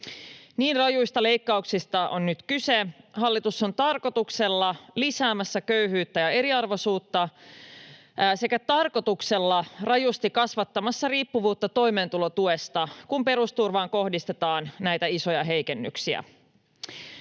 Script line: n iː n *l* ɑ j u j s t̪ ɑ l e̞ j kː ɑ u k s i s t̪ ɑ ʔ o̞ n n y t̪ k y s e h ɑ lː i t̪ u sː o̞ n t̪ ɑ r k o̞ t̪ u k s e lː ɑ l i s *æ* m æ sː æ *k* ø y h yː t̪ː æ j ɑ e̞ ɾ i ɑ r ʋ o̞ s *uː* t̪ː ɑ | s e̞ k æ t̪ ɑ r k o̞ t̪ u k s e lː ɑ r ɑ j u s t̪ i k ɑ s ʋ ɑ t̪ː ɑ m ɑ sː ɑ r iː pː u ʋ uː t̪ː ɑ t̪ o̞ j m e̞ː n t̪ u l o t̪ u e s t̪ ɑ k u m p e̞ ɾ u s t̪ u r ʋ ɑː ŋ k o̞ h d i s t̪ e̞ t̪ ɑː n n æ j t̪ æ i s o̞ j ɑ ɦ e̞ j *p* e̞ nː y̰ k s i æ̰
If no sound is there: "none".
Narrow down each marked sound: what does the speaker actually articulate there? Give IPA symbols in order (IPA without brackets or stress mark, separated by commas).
r, æː, k, uː, k